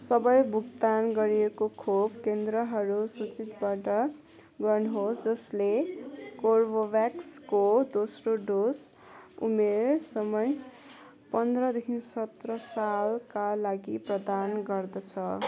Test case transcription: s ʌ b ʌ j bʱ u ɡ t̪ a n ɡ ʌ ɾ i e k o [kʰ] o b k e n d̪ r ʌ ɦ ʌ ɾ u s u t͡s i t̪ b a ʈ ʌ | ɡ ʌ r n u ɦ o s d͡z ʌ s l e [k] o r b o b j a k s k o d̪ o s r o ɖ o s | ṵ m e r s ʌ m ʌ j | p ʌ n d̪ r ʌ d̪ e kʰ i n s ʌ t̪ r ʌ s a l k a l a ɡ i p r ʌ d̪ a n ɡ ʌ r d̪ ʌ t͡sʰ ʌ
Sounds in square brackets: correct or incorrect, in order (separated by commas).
correct, correct